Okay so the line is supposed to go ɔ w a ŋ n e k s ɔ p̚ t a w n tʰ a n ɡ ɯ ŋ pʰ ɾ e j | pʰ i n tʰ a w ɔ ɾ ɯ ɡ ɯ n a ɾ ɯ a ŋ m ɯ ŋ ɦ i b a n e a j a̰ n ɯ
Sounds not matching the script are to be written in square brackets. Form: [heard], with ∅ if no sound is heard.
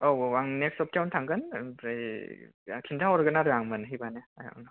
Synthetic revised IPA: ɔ w a ŋ n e k s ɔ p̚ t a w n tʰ a [ŋ] ɡ ɯ [n] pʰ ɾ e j | [kʰ] i n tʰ a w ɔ ɾ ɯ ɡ ɯ n a ɾ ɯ a ŋ m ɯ [n] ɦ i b a n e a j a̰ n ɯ

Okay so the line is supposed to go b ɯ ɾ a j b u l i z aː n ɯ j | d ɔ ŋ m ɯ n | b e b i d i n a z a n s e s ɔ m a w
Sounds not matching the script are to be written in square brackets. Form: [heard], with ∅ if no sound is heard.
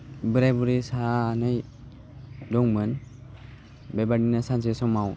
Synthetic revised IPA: b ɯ ɾ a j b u [ɾ] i [s] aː n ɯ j | d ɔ ŋ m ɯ n | b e b [a] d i n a [s] a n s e s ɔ m a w

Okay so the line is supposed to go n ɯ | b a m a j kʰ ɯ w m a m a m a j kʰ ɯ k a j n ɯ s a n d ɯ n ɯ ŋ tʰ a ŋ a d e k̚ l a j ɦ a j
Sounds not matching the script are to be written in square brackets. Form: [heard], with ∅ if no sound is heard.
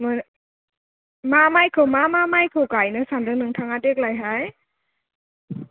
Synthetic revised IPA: [m] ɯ | [m] a m a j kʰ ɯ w m a m a m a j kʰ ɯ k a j n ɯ s a n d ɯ n ɯ ŋ tʰ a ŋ a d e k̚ l a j ɦ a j

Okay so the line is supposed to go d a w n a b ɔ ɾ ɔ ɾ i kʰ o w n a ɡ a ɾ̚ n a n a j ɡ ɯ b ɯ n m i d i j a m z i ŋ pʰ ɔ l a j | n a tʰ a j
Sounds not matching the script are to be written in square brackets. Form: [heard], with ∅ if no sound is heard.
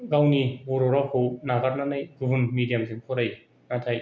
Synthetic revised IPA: [ɡ] a w n [i] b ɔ ɾ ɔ ɾ [a] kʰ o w n a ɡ a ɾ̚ n a n a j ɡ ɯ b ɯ n m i d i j a m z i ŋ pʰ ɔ [ɾ] a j | n a tʰ a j

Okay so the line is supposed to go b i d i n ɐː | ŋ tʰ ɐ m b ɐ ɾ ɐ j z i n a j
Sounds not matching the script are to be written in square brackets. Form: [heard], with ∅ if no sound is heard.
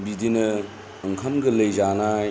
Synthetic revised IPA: b i d i n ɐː | ŋ [kʰ] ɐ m [ɡ] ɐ [l] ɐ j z [a] n a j

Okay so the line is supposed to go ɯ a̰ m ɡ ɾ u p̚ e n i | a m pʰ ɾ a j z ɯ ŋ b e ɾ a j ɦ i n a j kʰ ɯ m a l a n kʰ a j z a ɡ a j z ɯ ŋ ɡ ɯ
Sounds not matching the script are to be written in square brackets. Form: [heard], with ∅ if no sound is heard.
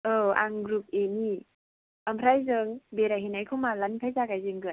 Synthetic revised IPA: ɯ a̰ [ŋ] ɡ ɾ u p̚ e n i | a m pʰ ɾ a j z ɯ ŋ b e ɾ a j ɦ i n a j kʰ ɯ m a l a n [pʰ] a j z a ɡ a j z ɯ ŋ ɡ ɯ

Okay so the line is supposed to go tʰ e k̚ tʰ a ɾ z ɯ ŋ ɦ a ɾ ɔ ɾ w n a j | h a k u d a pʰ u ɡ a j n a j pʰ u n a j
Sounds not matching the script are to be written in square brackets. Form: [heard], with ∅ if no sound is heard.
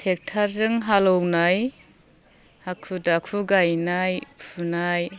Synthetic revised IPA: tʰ e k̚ tʰ a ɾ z ɯ ŋ ɦ a [l] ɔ [∅] w n a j | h a [kʰ] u d a [kʰ] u ɡ a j n a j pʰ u n a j

